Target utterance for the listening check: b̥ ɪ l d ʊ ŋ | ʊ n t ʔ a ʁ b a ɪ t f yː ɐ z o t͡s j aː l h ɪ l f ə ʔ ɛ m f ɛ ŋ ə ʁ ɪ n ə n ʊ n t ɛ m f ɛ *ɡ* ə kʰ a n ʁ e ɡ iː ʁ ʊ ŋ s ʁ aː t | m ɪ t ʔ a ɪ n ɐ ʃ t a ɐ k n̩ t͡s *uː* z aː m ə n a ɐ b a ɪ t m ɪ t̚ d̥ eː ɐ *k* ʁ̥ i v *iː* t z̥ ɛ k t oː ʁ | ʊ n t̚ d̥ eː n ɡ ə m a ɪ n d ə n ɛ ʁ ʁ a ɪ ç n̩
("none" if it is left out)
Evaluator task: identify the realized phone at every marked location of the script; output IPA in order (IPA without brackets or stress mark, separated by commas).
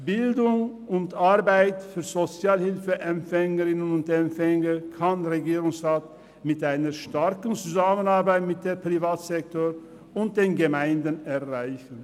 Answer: ŋ, u, p, aː